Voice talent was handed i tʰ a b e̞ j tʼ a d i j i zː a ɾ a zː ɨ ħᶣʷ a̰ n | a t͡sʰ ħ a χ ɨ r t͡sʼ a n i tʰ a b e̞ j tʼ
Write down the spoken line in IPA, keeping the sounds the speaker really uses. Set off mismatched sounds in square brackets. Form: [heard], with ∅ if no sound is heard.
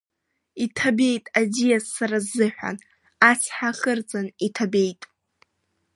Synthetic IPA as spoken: i tʰ a b e̞ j tʼ a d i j [a] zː a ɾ a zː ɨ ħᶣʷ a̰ n | a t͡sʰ ħ a χ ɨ r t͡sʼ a n i tʰ a b e̞ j tʼ